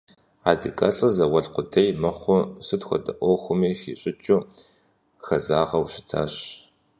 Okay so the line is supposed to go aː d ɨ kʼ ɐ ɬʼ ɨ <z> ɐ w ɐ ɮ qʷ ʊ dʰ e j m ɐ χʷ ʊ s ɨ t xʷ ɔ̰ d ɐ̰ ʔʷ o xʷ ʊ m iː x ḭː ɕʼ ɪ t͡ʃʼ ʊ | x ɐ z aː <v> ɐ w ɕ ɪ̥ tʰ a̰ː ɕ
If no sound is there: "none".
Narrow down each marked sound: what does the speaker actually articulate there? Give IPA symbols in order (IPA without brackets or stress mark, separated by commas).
z, ʁ